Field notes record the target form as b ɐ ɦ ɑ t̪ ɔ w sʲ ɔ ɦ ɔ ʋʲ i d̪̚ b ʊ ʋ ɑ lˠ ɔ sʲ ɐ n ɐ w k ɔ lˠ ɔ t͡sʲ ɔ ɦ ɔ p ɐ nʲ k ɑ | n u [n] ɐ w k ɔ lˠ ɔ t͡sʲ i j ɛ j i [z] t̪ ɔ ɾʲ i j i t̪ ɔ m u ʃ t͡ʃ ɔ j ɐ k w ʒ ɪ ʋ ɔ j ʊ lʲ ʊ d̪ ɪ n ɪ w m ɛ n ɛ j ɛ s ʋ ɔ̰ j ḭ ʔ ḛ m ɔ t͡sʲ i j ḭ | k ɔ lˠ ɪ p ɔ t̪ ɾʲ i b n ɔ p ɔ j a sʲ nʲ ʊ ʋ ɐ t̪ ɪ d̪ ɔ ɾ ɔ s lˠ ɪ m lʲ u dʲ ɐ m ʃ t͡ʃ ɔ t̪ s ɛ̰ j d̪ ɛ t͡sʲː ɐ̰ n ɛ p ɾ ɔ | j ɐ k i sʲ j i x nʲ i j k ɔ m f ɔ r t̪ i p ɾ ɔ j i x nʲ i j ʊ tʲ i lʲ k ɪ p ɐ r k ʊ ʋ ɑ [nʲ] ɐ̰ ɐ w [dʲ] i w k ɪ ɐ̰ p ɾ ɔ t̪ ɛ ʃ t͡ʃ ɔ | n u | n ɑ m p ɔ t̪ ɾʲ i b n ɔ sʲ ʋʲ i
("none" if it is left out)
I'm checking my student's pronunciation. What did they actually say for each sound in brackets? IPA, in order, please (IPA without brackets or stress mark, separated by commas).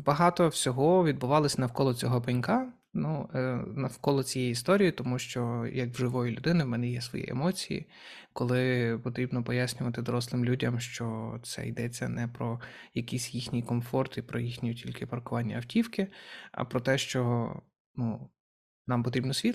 n, s, nʲː, tʲ